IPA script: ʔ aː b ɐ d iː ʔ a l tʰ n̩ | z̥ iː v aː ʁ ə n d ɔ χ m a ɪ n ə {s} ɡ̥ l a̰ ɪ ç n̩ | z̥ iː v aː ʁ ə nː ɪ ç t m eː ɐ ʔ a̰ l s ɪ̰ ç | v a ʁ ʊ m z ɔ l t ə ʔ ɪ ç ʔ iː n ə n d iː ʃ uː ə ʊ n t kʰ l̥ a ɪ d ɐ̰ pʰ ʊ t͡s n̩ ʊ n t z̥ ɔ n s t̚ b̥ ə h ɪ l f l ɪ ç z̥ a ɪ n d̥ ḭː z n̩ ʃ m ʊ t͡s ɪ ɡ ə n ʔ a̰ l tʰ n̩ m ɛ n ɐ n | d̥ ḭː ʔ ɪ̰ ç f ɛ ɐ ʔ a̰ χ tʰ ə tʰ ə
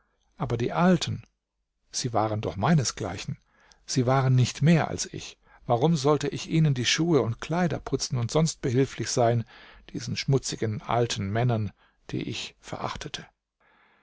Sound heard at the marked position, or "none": s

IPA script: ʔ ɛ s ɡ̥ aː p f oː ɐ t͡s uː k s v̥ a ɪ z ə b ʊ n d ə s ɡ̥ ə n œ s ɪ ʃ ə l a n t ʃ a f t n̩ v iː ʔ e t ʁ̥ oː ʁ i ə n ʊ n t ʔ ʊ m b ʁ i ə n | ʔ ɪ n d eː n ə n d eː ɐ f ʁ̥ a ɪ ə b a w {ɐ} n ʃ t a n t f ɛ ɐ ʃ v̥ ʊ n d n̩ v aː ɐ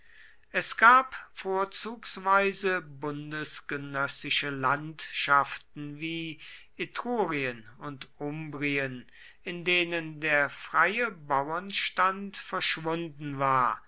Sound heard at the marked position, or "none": ɐ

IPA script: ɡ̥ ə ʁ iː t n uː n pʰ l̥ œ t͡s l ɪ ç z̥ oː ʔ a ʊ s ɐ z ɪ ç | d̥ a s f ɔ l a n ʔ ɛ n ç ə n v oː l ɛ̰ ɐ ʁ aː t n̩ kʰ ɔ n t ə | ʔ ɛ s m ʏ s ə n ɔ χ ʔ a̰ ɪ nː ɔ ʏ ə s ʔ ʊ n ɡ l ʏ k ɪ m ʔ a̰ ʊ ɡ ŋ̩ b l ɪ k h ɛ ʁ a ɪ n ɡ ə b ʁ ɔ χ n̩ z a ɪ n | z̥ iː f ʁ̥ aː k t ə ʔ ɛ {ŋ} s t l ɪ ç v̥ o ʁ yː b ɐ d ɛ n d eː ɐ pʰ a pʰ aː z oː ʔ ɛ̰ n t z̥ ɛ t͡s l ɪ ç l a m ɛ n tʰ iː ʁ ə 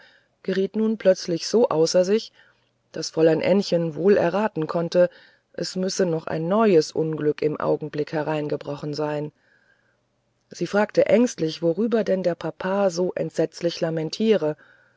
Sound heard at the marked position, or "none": ŋ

